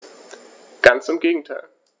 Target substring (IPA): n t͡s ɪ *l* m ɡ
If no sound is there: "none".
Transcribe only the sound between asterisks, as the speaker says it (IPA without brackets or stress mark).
none